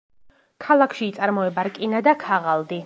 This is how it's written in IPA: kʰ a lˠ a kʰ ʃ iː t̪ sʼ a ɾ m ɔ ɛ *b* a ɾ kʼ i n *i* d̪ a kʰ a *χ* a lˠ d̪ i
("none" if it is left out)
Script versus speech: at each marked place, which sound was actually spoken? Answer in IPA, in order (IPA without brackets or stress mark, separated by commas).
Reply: b, a, ʁ